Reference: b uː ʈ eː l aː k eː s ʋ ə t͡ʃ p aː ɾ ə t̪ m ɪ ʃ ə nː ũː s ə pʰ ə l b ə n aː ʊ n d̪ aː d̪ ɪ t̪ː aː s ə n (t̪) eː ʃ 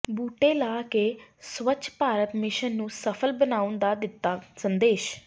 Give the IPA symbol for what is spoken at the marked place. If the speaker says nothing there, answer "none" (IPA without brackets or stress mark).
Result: d̪